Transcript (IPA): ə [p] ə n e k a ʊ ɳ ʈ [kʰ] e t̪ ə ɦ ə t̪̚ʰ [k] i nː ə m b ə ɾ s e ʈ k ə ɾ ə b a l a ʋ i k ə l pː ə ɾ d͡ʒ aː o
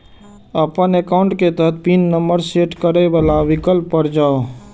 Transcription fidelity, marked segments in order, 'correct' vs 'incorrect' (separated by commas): correct, incorrect, incorrect